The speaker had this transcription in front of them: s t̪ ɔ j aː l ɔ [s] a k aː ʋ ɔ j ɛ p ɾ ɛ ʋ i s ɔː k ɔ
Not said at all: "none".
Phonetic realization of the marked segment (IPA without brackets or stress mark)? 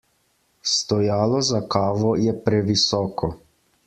z